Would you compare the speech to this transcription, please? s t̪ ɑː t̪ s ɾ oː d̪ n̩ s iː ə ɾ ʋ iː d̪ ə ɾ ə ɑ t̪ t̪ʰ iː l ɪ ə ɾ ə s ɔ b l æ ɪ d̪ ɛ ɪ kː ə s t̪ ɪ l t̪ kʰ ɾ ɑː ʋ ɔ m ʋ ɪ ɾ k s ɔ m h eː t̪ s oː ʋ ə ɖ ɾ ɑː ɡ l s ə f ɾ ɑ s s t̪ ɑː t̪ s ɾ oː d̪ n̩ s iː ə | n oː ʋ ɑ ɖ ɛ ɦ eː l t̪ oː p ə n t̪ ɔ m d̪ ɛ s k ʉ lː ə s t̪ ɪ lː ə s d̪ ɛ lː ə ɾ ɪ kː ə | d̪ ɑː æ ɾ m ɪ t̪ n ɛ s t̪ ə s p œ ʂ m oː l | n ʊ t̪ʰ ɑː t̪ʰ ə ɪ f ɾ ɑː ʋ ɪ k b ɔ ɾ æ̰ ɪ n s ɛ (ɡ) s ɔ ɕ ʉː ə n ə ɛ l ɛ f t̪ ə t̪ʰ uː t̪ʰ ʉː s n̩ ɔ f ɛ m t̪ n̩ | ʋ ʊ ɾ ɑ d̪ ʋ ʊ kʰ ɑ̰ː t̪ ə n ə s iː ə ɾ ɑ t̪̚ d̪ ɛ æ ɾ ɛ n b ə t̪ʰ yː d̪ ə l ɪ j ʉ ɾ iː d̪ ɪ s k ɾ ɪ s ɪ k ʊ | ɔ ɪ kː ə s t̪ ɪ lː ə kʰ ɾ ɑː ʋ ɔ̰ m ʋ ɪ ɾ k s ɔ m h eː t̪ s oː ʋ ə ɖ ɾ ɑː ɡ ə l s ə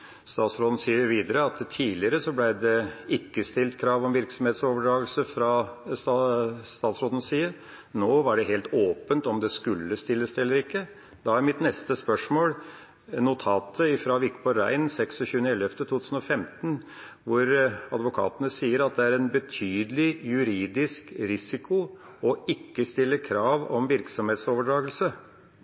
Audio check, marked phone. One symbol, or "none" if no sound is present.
k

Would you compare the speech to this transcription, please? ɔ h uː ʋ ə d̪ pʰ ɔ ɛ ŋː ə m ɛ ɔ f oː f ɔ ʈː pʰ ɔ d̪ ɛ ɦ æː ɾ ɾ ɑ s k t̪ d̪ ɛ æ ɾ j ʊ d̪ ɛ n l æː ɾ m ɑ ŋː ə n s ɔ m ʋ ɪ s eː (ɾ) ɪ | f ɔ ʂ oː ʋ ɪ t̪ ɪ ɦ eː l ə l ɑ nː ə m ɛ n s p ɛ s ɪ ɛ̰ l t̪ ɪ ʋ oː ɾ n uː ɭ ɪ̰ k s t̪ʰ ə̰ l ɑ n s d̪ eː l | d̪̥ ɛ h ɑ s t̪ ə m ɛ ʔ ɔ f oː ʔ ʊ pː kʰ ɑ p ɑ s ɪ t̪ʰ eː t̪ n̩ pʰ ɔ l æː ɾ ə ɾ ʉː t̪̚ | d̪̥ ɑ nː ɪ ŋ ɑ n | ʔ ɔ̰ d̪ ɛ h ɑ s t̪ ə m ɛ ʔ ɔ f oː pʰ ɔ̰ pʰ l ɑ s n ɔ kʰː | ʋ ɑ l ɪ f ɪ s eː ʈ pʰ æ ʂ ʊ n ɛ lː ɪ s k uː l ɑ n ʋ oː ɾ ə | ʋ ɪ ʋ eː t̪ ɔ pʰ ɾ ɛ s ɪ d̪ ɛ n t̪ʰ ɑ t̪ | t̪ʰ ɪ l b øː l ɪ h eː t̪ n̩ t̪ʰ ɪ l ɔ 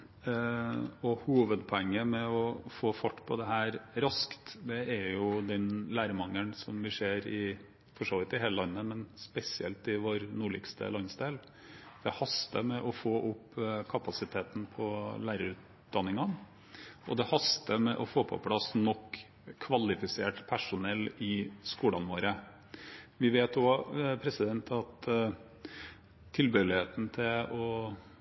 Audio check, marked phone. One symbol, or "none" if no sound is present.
ɾ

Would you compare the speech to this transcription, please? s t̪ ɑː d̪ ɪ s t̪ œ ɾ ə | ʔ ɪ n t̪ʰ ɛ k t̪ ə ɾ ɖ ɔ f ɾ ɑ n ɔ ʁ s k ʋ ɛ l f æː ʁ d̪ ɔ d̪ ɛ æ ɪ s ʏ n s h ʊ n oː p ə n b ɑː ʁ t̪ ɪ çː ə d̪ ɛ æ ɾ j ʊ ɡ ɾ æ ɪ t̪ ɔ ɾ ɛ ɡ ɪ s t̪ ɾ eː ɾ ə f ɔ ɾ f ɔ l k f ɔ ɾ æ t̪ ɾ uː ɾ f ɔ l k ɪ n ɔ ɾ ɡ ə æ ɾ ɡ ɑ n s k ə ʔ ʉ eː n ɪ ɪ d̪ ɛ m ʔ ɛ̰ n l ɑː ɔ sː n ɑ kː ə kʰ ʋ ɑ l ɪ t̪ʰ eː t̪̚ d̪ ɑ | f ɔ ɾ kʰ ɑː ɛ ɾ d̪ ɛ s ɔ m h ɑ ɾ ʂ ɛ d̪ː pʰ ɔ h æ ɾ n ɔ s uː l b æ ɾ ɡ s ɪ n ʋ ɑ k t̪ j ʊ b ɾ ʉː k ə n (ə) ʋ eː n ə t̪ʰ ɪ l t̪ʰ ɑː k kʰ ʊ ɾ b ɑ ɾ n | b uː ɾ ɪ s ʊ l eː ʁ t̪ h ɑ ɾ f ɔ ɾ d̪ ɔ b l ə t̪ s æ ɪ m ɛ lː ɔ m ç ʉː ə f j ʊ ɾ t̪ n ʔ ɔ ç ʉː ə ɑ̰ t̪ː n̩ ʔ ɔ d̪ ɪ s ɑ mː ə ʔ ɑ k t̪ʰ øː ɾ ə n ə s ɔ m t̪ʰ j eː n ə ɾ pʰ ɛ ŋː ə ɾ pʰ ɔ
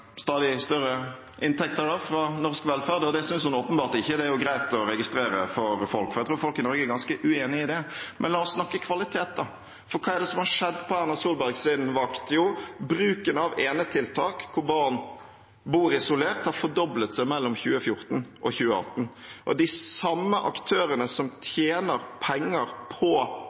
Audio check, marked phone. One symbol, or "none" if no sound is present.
ɑ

